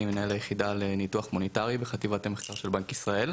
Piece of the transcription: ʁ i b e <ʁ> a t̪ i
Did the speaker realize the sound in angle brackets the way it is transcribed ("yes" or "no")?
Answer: no